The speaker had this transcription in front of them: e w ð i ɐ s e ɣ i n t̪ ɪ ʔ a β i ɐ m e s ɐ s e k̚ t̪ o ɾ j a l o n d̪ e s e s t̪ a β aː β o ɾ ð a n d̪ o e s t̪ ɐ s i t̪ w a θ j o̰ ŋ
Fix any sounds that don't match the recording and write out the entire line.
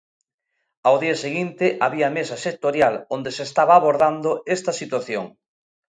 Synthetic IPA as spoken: a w ð i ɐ s e ɣ i n t̪ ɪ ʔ a β i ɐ m e s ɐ s e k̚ t̪ o ɾ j a l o n d̪ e s e s t̪ a β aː β o ɾ ð a n d̪ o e s t̪ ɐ s i t̪ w a θ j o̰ ŋ